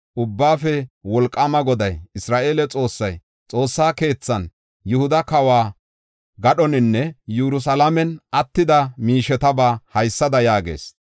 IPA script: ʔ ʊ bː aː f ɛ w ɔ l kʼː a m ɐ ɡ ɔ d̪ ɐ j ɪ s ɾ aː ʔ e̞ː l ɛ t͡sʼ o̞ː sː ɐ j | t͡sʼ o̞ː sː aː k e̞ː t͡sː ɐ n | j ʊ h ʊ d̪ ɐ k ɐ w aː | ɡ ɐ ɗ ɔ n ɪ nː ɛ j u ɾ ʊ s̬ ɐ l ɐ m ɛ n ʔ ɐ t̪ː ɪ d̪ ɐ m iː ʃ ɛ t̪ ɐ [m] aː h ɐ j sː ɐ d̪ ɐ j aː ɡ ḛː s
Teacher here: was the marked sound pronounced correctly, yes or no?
no